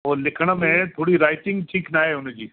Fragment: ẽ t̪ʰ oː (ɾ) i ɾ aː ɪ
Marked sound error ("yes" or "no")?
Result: yes